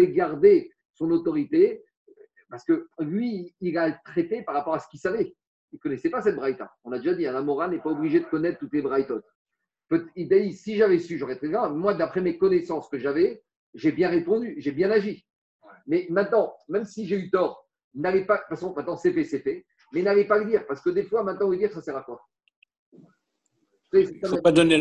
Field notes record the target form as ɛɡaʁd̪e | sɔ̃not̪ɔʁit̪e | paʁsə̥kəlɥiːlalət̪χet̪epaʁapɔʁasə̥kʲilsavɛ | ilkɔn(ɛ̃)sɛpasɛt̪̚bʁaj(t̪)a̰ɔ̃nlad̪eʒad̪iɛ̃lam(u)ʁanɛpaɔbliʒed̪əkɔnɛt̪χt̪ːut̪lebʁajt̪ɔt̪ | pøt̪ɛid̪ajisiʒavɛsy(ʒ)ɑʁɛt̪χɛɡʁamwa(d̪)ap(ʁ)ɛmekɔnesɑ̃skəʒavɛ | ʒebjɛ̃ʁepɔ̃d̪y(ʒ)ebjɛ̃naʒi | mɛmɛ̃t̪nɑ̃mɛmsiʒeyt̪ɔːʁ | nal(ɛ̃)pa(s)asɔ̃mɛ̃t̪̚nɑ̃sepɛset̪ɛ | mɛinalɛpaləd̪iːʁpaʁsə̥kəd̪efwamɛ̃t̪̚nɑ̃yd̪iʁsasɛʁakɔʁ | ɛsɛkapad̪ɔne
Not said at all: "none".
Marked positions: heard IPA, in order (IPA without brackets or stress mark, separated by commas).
ɛ, t̪, ɔ, ʒ, d̪, χ, ʒ, ɛ, f